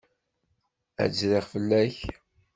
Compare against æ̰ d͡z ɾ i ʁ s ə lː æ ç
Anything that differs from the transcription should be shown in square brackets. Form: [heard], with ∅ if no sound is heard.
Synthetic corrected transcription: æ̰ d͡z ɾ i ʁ [f] ə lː æ ç